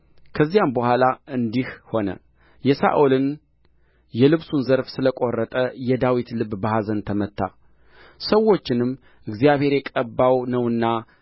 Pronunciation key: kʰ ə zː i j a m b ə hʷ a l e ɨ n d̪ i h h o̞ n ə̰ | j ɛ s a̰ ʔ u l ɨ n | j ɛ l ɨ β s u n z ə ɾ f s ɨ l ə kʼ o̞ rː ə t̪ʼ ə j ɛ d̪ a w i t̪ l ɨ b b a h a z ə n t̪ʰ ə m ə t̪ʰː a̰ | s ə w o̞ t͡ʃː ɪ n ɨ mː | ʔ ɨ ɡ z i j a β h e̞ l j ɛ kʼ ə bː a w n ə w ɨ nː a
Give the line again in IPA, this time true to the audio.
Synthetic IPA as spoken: kʰ ə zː i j a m b ə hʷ a l a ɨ n d̪ i h h o̞ n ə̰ | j ɛ s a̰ ʔ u l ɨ n | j ɛ l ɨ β s u n z ə ɾ f s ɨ l ə kʼ o̞ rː ə t̪ʼ ə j ɛ d̪ a w i t̪ l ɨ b b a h a z ə n t̪ʰ ə m ə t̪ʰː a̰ | s ə w o̞ t͡ʃː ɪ n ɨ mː | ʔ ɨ ɡ z i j a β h e̞ ɾ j ɛ kʼ ə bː a w n ə w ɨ nː a